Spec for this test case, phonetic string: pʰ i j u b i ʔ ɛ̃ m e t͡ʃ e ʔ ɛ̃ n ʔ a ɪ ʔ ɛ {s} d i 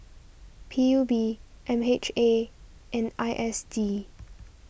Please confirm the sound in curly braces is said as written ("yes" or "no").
yes